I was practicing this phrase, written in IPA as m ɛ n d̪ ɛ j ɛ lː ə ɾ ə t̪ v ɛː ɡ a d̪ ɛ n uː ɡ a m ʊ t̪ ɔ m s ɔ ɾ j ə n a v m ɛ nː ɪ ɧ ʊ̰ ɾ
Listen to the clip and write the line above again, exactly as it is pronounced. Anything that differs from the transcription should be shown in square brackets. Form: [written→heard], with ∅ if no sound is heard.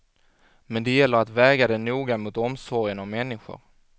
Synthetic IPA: m ɛ n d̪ ɛ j ɛ lː ə ɾ [ə→a] t̪ v ɛː ɡ a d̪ ɛ n uː ɡ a m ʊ t̪ ɔ m s ɔ ɾ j ə n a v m ɛ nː ɪ ɧ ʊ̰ ɾ